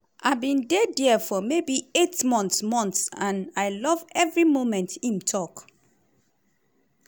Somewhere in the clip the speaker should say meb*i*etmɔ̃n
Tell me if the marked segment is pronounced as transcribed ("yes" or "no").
yes